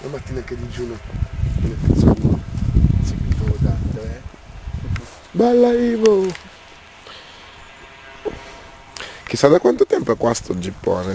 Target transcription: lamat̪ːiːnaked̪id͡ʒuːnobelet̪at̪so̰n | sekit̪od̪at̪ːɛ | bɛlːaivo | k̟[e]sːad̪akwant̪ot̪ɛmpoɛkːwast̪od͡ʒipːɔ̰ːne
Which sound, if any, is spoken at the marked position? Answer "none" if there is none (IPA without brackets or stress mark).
i